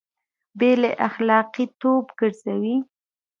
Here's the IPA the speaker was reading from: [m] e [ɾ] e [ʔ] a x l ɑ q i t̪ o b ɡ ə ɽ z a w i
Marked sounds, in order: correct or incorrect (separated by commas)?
incorrect, incorrect, correct